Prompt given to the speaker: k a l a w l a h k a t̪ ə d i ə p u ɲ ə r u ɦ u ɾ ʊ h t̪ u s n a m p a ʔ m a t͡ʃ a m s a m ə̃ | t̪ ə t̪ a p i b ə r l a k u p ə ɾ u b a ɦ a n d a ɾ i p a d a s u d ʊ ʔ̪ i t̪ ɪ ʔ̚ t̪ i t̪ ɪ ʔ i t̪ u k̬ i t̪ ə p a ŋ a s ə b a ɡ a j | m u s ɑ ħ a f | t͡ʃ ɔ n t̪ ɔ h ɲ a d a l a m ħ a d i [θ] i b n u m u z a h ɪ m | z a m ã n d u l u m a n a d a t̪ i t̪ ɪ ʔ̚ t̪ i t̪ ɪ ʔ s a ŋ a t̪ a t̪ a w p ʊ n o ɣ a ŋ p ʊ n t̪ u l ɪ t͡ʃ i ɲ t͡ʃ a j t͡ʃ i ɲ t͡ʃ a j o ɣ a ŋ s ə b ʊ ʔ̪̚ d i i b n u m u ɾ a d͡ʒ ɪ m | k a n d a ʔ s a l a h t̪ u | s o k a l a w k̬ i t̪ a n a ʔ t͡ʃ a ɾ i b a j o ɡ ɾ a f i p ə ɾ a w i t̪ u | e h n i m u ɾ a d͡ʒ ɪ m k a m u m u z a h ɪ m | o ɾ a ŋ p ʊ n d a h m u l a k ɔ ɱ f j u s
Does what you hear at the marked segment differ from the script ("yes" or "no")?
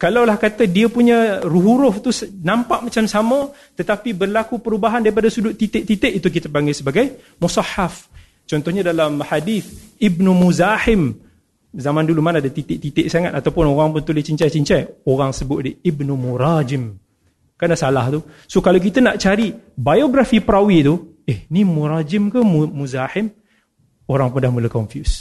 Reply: no